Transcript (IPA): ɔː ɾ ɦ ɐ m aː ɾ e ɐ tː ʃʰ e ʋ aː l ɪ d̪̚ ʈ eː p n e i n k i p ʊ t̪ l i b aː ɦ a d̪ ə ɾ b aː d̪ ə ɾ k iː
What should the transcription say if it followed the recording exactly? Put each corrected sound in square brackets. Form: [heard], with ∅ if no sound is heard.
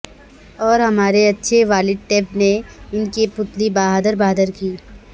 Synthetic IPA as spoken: ɔː ɾ ɦ ɐ m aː ɾ e ɐ tː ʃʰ e ʋ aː l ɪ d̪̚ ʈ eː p n e [ɪ] n k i p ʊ t̪ l i b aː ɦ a d̪ ə ɾ b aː d̪ ə ɾ k iː